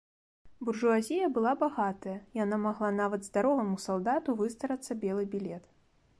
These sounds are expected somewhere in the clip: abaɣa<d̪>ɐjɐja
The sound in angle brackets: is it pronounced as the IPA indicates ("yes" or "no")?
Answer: no